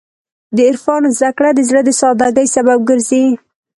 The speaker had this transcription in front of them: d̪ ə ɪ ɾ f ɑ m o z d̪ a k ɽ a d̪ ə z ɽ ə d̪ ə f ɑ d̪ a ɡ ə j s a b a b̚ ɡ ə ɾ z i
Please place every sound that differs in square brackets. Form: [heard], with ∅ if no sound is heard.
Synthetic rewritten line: d̪ ə ɪ ɾ f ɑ [n] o z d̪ a k ɽ a d̪ ə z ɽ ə d̪ ə [s] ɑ d̪ a ɡ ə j s a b a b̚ ɡ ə ɾ z i